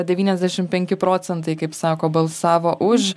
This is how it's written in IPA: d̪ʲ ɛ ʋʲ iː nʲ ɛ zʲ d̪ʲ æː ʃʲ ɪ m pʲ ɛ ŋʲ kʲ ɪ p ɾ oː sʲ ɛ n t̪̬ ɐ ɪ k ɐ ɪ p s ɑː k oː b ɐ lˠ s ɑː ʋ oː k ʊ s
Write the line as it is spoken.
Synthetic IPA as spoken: d̪ʲ ɛ ʋʲ iː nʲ ɛ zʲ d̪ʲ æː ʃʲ ɪ m pʲ ɛ ŋʲ kʲ ɪ p ɾ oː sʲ ɛ n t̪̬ ɐ ɪ k ɐ ɪ p s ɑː k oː b ɐ lˠ s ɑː ʋ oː ʔ ʊ ʃ

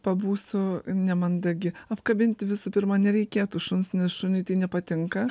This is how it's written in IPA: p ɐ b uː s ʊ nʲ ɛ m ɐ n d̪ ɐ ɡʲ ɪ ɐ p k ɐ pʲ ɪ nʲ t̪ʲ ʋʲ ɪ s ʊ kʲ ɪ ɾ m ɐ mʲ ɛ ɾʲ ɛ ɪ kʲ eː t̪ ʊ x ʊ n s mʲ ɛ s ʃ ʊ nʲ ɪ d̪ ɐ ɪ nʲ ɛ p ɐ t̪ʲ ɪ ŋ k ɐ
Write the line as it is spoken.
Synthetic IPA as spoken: p ɐ b uː s ʊ nʲ ɛ m ɐ n d̪ ɐ ɡʲ ɪ ɐ p k ɐ bʲ ɪ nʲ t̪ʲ ʋʲ ɪ s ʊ pʲ ɪ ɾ m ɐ nʲ ɛ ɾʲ ɛ ɪ kʲ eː t̪ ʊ ʃ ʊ n s nʲ ɛ s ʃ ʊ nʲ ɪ t̪ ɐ ɪ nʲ ɛ p ɐ t̪ʲ ɪ ŋ k ɐ

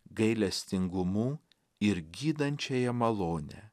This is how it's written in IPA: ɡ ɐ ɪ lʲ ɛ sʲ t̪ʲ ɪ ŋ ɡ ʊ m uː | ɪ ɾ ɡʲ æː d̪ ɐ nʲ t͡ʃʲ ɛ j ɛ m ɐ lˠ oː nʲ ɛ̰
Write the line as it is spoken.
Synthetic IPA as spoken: ɡ ɐ ɪ lʲ ɛ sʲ t̪ʲ ɪ ŋ ɡ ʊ m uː | ɪ ɾ ɡʲ iː d̪ ɐ nʲ t͡ʃʲ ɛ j ɛ m ɐ lˠ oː nʲ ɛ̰

